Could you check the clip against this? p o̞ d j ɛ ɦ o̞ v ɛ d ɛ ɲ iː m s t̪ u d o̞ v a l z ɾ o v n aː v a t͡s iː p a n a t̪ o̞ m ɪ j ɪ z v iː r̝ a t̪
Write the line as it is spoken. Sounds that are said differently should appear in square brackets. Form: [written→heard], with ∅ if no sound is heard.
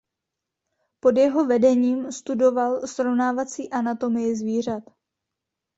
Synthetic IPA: p o̞ d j ɛ ɦ o̞ v ɛ d ɛ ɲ iː m s t̪ u d o̞ v a l [z→s] ɾ o v n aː v a t͡s iː [p→ʔ] a n a t̪ o̞ m ɪ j ɪ z v iː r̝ a t̪